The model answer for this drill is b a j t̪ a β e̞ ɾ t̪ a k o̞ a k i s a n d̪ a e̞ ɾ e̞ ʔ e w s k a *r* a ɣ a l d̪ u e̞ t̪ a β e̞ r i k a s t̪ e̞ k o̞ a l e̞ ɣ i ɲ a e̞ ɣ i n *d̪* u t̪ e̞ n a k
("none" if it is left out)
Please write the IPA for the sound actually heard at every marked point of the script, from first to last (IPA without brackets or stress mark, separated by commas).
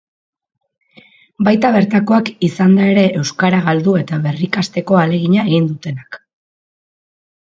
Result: ɾ, d̪